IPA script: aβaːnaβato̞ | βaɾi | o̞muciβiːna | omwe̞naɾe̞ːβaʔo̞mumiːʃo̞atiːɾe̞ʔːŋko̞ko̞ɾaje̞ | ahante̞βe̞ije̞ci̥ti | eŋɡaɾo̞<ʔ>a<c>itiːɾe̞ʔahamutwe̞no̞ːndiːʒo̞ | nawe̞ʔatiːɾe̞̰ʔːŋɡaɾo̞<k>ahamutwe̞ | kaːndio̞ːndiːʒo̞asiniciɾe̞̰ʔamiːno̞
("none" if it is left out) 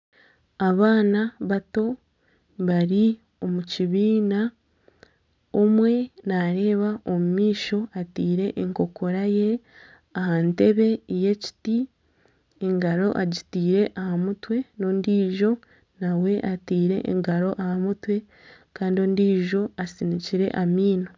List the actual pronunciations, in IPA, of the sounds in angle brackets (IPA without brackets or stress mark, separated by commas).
ʔ, ɟ, ʔ